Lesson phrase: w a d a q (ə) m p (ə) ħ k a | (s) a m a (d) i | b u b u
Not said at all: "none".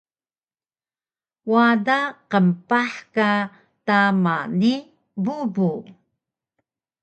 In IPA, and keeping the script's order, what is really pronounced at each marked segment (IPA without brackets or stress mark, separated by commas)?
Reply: ə, a, t, n